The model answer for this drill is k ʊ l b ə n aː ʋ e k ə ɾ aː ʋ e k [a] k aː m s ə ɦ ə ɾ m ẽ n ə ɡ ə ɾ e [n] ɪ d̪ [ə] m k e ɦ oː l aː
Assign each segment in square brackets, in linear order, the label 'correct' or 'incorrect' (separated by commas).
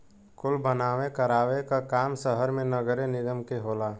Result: correct, correct, correct